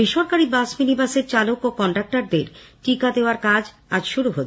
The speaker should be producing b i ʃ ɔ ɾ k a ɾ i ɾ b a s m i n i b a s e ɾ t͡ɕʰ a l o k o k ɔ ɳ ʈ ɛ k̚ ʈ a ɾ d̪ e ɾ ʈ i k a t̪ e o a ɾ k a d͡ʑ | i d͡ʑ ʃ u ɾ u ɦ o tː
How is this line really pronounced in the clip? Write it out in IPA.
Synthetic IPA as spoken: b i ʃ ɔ ɾ k a ɾ i b a s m i n i b a s e ɾ t͡ɕ a l o k o k ɔ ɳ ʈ a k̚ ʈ a ɾ d̪ e ɾ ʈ i k a d̪ e o a ɾ k a d͡ʑ | a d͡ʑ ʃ u ɾ u ɦ o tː